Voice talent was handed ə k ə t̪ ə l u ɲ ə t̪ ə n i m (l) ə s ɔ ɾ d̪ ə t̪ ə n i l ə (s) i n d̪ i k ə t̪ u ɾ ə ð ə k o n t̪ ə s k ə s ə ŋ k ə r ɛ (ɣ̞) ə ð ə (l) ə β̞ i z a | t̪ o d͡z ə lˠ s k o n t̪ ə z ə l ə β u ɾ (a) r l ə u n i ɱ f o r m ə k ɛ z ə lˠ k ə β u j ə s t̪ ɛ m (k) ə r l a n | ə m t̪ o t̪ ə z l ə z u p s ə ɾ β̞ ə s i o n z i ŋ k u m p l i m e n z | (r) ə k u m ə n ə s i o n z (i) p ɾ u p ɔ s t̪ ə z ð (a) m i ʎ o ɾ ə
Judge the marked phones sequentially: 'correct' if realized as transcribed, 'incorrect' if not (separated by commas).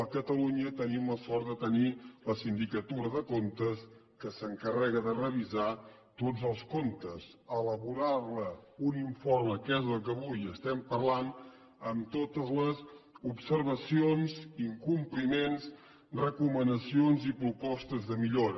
correct, correct, correct, incorrect, correct, incorrect, correct, correct, incorrect